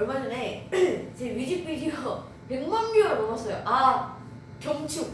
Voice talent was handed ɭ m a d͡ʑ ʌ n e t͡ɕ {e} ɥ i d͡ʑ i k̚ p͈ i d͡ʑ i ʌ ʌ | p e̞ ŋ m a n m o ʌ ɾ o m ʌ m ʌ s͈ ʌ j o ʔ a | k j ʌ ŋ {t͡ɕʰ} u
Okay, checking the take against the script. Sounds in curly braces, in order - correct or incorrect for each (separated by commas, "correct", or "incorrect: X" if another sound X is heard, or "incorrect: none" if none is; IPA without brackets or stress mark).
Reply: correct, correct